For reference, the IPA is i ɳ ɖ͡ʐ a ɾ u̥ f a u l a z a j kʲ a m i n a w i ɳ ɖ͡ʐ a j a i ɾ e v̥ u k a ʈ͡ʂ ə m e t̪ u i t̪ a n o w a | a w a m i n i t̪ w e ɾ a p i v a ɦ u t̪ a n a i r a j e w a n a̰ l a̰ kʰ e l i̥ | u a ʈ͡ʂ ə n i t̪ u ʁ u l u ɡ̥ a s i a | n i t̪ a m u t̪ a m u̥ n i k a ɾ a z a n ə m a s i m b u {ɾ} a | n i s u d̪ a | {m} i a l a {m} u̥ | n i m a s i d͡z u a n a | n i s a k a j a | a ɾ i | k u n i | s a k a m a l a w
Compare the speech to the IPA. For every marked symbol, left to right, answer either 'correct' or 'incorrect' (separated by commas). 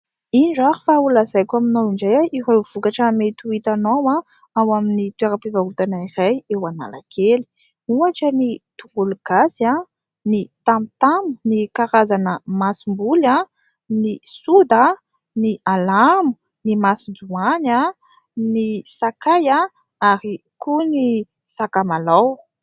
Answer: incorrect, incorrect, correct